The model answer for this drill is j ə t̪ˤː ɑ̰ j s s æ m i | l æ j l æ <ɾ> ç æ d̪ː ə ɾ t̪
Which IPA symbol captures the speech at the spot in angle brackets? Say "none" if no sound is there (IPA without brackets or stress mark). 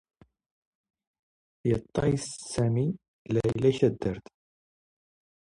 none